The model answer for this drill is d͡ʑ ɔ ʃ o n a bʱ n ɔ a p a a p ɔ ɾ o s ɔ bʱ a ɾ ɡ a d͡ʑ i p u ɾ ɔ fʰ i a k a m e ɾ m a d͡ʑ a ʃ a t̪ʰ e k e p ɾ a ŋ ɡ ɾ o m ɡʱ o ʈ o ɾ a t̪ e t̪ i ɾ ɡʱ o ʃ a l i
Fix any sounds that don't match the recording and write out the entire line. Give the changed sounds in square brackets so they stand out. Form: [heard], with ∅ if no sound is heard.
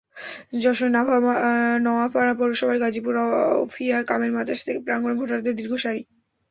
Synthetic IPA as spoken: d͡ʑ ɔ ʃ o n a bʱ n ɔ a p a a p ɔ ɾ o [ʃ] ɔ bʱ a ɾ ɡ a d͡ʑ i p u ɾ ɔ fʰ i a k a m e ɾ m a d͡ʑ a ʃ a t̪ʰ e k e p ɾ a ŋ ɡ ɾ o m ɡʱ o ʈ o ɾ a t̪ e [d̪] i ɾ ɡʱ o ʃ a [ɾ] i

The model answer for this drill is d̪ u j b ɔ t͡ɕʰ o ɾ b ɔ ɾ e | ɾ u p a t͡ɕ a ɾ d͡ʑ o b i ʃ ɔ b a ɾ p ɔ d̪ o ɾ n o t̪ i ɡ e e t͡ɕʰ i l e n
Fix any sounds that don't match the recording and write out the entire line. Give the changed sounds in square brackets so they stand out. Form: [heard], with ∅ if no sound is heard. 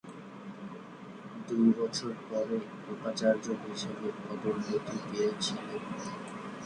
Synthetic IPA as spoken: d̪ u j b ɔ t͡ɕʰ o ɾ [p] ɔ ɾ e | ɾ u p a t͡ɕ a ɾ d͡ʑ o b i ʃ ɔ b [e] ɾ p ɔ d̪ o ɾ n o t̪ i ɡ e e t͡ɕʰ i l e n

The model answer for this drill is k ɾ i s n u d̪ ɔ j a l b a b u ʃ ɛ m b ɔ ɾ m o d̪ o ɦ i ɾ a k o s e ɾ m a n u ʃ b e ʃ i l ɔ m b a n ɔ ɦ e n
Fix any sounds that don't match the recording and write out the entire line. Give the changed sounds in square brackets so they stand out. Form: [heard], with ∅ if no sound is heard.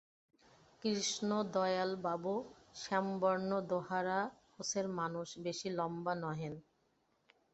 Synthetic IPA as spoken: k ɾ i [ʃ] n [o] d̪ ɔ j a l b a b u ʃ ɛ m b ɔ ɾ [n] o d̪ o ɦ [a] ɾ a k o s e ɾ m a n u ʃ b e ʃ i l ɔ m b a n ɔ ɦ e n

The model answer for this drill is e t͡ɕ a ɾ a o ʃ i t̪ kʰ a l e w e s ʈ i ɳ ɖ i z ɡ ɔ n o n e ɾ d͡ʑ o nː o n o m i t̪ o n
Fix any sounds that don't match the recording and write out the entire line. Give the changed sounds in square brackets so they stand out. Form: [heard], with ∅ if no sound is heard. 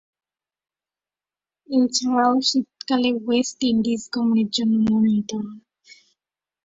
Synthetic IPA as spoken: e [t͡ɕʰ] a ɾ a o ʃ i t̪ [k] a l e w e s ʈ i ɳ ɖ i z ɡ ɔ [m] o n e ɾ d͡ʑ o nː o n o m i t̪ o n

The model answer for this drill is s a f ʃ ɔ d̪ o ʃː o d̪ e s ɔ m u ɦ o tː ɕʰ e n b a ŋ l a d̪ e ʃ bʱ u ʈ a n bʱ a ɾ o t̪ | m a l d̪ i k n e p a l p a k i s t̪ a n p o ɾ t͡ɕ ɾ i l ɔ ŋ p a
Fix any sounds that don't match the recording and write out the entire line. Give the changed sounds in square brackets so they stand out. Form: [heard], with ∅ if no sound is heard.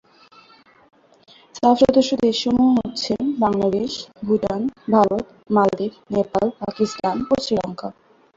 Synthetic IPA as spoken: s a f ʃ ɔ d̪ o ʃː o d̪ e [ʃ] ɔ m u ɦ o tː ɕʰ e n b a ŋ l a d̪ e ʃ bʱ u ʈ a n bʱ a ɾ o t̪ | m a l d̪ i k n e p a l p a k i s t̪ a n p o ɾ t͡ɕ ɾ i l ɔ ŋ [k] a

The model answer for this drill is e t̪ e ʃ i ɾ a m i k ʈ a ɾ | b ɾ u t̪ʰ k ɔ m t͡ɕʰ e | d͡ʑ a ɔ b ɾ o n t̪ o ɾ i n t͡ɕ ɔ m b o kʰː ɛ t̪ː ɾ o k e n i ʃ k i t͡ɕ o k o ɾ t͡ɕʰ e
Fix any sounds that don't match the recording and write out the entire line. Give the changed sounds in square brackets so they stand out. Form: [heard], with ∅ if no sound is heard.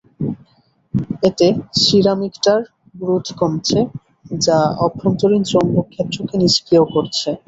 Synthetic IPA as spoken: e t̪ e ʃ i ɾ a m i k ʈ a ɾ | b ɾ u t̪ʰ k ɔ m t͡ɕʰ e | d͡ʑ a ɔ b ɾ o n t̪ o ɾ i n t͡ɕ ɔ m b o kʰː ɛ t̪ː ɾ o k e n i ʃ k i [∅] o k o ɾ t͡ɕʰ e

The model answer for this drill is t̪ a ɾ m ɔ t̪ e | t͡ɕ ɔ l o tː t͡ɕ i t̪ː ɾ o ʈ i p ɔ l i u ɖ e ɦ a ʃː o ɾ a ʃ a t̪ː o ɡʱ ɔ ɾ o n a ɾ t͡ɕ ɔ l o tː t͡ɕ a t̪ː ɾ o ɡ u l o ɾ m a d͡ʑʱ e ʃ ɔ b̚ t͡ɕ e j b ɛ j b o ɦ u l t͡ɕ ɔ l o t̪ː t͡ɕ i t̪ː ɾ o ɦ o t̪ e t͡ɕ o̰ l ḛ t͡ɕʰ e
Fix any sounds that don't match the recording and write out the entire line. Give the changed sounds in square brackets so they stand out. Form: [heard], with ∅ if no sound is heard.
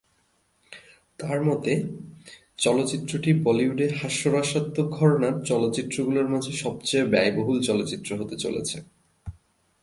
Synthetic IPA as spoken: t̪ a ɾ m ɔ t̪ e | t͡ɕ ɔ l o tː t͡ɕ i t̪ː ɾ o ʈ i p ɔ l i u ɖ e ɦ a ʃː o ɾ a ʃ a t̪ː o ɡʱ ɔ ɾ o n a ɾ t͡ɕ ɔ l o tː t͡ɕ [i] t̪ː ɾ o ɡ u l o ɾ m a d͡ʑʱ e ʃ ɔ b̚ t͡ɕ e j b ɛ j b o ɦ u l t͡ɕ ɔ l o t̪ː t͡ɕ i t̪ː ɾ o ɦ o t̪ e t͡ɕ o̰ l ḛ t͡ɕʰ e

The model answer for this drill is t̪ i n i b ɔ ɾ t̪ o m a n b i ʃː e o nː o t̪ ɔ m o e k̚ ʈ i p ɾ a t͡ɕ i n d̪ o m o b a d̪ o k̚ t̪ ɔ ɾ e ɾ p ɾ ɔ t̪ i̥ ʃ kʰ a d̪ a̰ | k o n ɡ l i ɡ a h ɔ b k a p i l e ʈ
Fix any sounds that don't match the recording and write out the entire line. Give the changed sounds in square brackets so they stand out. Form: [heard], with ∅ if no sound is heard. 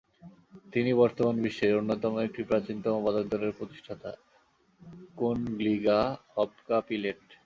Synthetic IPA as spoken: t̪ i n i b ɔ ɾ t̪ o m a n b i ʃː e o nː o t̪ ɔ m o e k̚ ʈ i p ɾ a t͡ɕ i n [t̪] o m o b a d̪ o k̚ [d̪] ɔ ɾ e ɾ p ɾ [o] t̪ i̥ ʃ [ʈʰ] a [t̪] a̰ | k o n ɡ l i ɡ a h ɔ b k a p i l e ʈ

